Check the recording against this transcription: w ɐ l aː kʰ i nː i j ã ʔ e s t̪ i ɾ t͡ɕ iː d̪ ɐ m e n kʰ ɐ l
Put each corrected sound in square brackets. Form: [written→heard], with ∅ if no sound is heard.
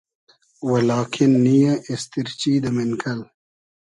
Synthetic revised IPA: w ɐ l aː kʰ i nː i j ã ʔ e s t̪ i ɾ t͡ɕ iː d̪ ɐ m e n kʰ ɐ l